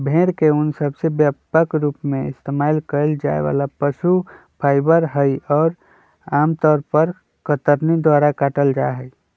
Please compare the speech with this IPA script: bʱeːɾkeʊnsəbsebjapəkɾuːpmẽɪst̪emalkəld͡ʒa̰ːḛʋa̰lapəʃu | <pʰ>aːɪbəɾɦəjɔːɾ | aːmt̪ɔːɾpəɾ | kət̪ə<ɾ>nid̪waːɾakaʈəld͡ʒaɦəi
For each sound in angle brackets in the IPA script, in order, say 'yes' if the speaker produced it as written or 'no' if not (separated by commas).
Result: yes, yes